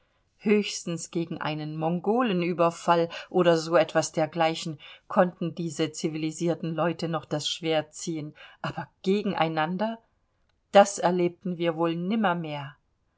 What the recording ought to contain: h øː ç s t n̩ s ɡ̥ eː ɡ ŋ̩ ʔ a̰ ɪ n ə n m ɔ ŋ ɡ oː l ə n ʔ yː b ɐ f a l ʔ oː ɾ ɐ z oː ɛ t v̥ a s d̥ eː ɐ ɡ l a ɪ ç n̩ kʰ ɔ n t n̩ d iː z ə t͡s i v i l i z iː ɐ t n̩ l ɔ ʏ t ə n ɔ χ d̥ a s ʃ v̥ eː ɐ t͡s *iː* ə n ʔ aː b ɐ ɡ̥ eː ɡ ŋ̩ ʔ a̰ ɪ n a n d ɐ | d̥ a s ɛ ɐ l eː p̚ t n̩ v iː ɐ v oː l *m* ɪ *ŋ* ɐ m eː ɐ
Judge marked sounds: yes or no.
yes, no, no

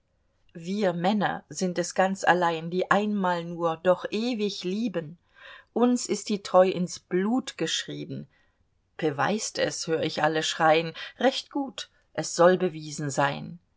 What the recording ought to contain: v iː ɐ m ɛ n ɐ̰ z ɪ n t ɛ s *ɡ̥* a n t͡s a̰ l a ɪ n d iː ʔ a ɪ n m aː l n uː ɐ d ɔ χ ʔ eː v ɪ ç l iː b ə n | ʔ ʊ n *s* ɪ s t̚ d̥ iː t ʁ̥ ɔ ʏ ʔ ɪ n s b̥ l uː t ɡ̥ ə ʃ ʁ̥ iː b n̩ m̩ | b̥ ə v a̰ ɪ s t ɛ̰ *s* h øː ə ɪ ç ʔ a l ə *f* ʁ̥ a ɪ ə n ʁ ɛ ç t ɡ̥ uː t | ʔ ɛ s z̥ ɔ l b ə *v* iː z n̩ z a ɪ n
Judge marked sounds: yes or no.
yes, yes, yes, no, yes

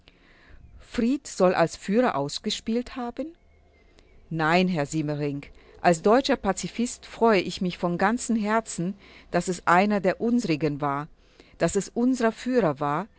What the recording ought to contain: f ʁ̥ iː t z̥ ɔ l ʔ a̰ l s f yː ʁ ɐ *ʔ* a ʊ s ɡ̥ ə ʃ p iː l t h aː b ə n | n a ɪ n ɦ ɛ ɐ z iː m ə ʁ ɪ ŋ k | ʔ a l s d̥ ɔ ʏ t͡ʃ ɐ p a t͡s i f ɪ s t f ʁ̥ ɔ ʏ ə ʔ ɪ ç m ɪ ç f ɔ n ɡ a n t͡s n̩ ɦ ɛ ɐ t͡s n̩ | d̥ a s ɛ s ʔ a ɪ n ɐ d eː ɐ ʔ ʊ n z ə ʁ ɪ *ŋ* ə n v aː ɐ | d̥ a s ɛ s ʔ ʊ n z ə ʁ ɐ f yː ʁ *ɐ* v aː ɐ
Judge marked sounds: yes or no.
yes, no, yes

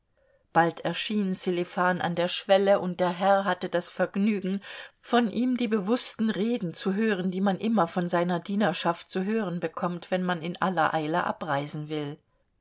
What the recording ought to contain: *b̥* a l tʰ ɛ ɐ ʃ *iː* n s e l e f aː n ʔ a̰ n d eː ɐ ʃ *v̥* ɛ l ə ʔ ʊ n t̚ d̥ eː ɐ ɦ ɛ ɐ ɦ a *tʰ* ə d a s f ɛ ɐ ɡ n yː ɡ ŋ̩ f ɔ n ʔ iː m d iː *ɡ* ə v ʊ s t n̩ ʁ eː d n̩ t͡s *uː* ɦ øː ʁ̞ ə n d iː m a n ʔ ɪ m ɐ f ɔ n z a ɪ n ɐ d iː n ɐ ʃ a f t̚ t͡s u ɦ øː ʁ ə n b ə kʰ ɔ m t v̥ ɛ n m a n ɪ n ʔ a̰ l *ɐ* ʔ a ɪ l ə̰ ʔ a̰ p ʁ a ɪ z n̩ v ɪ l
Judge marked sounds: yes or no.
yes, yes, yes, no, no, no, yes

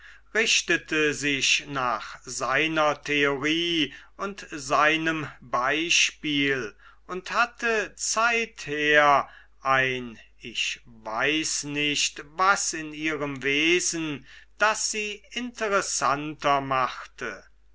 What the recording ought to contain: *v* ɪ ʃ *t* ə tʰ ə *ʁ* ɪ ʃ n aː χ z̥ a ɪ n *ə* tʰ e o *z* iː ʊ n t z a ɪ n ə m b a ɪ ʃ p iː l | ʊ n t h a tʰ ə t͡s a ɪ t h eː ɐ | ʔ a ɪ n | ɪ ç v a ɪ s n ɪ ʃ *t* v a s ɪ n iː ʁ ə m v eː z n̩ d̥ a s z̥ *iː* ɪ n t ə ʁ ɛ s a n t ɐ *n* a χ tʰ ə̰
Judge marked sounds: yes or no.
no, yes, no, no, no, yes, yes, no

